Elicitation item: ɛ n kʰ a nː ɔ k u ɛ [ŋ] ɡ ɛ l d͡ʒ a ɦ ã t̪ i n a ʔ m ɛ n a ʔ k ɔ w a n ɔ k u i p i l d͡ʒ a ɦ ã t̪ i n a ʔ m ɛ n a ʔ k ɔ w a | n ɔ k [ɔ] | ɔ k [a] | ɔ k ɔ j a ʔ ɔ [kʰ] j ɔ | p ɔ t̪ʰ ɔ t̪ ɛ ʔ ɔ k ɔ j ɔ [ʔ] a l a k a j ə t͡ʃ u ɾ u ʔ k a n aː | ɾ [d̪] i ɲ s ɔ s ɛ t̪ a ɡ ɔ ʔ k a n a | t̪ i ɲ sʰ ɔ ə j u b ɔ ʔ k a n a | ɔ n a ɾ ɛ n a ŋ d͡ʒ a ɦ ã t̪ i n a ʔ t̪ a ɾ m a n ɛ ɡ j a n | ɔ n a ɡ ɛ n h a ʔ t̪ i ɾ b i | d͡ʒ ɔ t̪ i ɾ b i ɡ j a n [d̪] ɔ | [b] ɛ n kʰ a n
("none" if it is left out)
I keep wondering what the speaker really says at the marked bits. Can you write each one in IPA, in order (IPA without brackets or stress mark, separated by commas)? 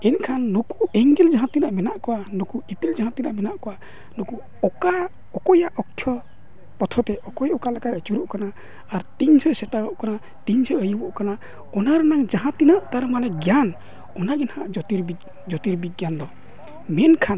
ŋ, u, a, kʰ, k, t̪, d̪, m